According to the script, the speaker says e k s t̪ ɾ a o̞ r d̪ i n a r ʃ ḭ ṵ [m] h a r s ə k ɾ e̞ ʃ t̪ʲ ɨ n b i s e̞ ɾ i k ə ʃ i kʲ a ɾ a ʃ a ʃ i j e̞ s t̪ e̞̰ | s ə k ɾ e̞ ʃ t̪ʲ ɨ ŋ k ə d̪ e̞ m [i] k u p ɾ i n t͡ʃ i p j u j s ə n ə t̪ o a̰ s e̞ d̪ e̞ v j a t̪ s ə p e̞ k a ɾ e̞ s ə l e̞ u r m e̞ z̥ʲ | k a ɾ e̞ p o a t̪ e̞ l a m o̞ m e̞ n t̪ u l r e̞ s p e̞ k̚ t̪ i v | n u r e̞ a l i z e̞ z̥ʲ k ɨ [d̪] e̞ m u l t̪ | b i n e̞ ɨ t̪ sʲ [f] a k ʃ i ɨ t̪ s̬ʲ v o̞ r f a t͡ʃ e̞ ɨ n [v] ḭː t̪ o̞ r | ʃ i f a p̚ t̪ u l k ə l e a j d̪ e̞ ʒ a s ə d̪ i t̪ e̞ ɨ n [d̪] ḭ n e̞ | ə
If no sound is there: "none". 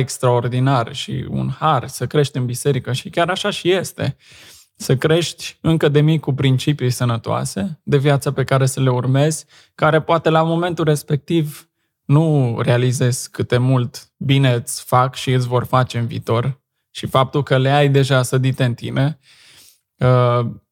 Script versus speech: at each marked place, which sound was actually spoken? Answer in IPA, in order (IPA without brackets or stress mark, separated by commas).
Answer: n, i, t̪, f, v, t̪